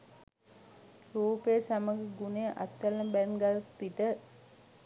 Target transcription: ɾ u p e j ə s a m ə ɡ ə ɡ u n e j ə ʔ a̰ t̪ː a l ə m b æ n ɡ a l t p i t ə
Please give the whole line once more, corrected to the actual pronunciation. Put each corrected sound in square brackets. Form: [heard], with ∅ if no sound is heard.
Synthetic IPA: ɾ [uː] p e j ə s a m ə ɡ ə ɡ u n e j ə ʔ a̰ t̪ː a l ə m b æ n ɡ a l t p i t ə